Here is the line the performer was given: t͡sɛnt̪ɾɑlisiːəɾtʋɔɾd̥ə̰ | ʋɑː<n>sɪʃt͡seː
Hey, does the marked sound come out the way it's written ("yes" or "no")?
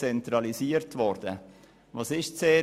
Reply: no